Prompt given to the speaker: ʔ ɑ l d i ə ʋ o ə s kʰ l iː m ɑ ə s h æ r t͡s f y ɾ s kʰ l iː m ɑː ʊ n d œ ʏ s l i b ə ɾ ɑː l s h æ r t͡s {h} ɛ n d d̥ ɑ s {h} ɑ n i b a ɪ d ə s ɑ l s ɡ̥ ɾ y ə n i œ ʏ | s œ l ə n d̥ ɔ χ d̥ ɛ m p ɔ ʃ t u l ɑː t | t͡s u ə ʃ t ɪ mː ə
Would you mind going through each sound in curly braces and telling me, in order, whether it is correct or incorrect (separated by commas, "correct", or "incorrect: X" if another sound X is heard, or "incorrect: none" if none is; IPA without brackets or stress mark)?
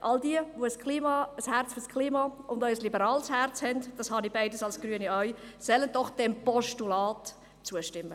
correct, correct